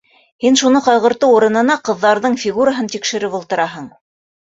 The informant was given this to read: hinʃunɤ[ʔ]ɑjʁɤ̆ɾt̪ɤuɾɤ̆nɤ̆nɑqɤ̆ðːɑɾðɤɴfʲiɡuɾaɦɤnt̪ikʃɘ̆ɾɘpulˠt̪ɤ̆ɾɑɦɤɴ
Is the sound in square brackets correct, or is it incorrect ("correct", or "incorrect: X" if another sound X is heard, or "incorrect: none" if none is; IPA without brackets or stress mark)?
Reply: incorrect: q